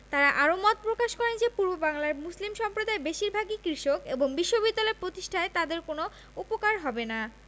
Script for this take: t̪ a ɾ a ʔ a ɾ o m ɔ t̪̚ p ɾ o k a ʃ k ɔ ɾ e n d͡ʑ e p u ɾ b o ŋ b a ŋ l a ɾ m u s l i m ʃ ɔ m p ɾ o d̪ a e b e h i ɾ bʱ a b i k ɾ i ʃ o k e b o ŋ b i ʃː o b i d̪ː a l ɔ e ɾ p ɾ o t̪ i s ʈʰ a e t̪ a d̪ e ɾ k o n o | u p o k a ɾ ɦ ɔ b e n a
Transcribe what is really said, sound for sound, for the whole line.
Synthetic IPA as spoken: t̪ a ɾ a ʔ a ɾ o m ɔ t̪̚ p ɾ o k a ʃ k ɔ ɾ e n d͡ʑ e p u ɾ b o b a ŋ l a ɾ m u s l i m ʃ ɔ m p ɾ o d̪ a e b e ʃ i ɾ bʱ a ɡ i k ɾ i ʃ o k e b o ŋ b i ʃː o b i d̪ː a l ɔ e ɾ p ɾ o t̪ i ʃ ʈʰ a e t̪ a d̪ e ɾ k o n o | u p o k a ɾ ɦ ɔ b e n a